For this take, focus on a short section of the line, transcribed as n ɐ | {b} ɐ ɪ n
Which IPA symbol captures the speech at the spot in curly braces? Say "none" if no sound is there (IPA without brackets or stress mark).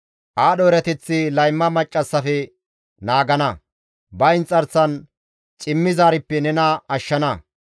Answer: b